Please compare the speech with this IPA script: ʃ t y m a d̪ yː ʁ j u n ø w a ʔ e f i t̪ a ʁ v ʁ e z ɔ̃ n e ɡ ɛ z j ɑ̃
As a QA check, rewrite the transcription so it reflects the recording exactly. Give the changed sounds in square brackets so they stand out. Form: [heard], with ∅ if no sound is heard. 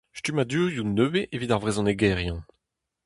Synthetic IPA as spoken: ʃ t y m a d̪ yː ʁ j u n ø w [e] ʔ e [v] i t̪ a ʁ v ʁ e z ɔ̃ n e ɡ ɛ [ʁ] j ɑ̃